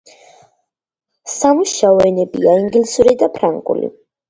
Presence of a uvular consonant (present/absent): absent